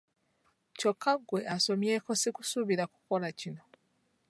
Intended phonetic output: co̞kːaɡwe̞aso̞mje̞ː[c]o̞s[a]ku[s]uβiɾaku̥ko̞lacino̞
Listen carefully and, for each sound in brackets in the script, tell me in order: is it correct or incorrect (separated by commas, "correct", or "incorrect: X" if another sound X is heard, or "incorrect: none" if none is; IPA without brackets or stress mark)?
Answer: incorrect: k, incorrect: i, correct